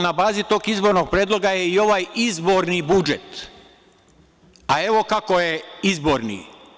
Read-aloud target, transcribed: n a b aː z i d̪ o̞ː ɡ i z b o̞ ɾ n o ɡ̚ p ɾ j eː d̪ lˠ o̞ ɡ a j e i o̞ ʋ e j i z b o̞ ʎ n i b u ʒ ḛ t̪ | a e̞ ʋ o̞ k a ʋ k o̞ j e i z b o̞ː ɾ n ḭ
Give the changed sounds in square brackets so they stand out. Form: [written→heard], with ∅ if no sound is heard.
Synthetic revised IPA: n a b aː z i [d̪→t̪] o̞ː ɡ i z b o̞ ɾ n o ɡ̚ p ɾ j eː d̪ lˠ o̞ ɡ a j e i o̞ ʋ [e→a] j i z b o̞ [ʎ→ɾ] n i b u [ʒ→d͡ʒ] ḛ t̪ | a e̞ ʋ o̞ k a [ʋ→∅] k o̞ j e i z b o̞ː ɾ n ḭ